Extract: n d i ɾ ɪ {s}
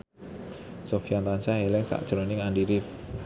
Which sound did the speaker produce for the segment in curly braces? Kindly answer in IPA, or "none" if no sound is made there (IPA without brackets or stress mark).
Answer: f